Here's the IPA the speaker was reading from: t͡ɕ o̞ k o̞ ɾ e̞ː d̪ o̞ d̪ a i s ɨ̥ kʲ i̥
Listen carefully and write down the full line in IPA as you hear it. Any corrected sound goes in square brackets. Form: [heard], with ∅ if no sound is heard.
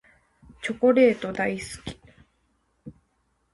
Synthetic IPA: t͡ɕ o̞ k o̞ ɾ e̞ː [t̪] o̞ d̪ a i s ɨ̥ kʲ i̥